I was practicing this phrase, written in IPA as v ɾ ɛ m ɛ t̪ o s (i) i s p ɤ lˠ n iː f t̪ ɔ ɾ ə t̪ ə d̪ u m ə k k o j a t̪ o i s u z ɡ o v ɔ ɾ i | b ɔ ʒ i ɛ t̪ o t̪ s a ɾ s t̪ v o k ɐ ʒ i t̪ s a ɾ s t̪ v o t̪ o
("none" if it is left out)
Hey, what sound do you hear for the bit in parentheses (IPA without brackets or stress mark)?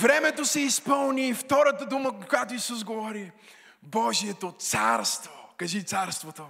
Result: ɛ